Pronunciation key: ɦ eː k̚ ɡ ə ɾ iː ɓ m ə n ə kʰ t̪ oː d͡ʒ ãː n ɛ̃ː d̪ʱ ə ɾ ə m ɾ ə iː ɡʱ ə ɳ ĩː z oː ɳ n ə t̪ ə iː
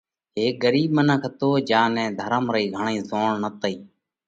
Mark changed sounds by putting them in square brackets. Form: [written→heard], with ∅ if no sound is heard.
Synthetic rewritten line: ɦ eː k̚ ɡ ə ɾ iː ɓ m ə n ə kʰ t̪ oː d͡ʒ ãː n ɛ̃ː d̪ʱ ə ɾ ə m ɾ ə iː ɡʱ ə ɳ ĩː z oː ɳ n ə t̪ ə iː